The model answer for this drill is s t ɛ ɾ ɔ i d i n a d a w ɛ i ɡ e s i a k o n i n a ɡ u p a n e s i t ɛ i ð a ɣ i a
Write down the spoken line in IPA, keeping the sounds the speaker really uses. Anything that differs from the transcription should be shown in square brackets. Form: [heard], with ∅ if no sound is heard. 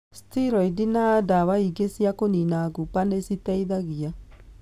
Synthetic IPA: s t [i] ɾ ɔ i d i n a d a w [a] i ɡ e s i a k o n i n a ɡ u p a n e s i t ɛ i ð a ɣ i a